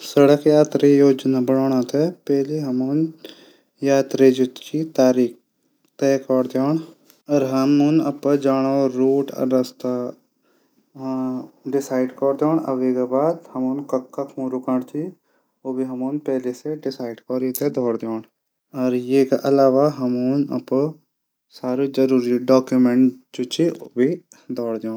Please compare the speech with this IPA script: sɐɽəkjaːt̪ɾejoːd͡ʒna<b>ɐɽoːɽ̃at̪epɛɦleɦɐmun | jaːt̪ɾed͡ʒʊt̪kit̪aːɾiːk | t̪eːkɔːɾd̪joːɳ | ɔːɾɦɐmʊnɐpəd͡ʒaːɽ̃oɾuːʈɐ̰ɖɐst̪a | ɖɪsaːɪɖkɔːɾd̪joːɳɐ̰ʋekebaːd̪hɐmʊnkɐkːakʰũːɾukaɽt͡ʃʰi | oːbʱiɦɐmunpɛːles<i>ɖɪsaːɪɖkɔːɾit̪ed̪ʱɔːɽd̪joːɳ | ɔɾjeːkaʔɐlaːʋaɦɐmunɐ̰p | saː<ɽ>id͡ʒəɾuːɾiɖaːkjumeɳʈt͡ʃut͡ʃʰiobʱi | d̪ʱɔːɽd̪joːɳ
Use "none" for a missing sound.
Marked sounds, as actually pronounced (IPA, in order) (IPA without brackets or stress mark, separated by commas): b, e, ɾ